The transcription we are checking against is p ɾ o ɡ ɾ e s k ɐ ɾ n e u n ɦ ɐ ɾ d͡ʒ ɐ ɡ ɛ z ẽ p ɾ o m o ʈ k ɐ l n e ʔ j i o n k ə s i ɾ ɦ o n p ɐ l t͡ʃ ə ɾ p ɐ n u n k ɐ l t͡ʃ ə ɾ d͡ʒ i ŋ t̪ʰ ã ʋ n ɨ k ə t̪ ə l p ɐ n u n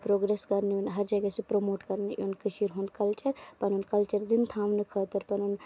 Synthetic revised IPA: p ɾ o ɡ ɾ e s k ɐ ɾ n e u n ɦ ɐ ɾ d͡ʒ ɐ ɡ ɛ s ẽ p ɾ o m o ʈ k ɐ ɾ n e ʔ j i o n k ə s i ɾ ɦ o n k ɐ l t͡ʃ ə ɾ p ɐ n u n k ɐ l t͡ʃ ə ɾ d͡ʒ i n t̪ʰ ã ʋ n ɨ kʰ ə t̪ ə ɾ p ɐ n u n